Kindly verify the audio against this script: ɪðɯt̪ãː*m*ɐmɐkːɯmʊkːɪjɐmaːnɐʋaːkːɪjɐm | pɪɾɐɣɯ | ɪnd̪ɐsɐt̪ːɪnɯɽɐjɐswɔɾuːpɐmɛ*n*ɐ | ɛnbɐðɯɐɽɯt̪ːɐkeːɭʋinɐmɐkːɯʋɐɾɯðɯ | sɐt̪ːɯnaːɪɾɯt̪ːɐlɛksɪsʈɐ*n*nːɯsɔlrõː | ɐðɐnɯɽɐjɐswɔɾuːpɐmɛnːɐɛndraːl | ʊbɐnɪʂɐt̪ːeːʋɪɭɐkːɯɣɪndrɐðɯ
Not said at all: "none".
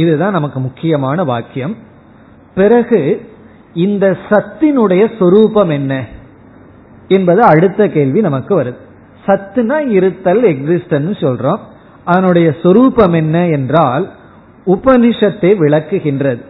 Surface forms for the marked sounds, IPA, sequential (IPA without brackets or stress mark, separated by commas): n, nː, n